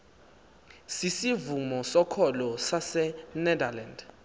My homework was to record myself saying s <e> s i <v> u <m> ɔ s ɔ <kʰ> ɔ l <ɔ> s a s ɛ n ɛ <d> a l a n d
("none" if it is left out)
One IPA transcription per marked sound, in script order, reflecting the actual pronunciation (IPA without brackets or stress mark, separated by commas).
i, v, m, kʰ, ɔ, d